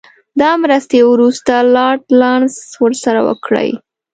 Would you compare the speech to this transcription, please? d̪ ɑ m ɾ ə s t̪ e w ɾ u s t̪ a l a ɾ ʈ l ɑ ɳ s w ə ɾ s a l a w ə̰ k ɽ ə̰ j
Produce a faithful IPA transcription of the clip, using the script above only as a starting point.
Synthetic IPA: d̪ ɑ m ɾ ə s t̪ e w ɾ u s t̪ a l ɑ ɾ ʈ l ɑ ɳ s w ə ɾ s a ɾ a w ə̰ k ɽ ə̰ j